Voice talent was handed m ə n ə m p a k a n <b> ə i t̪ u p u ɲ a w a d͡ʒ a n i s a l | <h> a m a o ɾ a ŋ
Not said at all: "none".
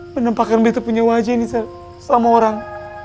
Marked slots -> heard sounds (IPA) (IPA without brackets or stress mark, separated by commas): b, s